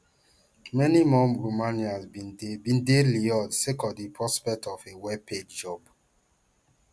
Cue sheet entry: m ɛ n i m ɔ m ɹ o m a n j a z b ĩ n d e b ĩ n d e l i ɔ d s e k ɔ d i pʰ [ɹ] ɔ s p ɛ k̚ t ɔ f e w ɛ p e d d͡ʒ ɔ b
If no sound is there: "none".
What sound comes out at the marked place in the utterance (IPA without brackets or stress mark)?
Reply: ɹ